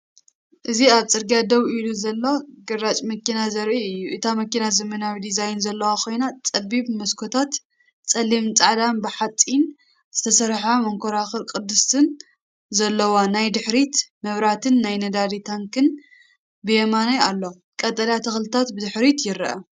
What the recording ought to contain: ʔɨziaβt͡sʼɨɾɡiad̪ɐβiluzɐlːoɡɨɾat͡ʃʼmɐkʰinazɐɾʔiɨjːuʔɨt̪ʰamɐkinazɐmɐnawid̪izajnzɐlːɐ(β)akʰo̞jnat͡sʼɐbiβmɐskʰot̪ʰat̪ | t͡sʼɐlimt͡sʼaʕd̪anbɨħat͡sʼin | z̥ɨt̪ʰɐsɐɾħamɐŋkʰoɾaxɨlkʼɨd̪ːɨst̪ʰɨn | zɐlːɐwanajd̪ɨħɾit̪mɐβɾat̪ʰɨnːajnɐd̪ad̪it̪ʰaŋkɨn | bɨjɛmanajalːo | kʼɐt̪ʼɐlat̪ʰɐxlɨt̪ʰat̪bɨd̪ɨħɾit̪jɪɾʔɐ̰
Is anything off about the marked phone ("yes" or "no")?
yes